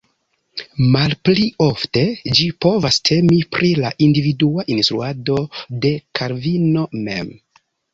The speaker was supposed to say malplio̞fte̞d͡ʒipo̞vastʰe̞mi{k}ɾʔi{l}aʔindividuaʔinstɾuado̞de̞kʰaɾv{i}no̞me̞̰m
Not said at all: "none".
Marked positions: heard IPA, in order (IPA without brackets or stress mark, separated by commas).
p, l, i